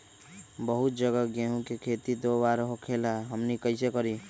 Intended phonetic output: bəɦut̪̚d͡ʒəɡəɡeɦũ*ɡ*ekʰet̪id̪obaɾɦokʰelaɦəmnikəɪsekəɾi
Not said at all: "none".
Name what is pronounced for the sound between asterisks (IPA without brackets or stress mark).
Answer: k